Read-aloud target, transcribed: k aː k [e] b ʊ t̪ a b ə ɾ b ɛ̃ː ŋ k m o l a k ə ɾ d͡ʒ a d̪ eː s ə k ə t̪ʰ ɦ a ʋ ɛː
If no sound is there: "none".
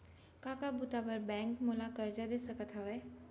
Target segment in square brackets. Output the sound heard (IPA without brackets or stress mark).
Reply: a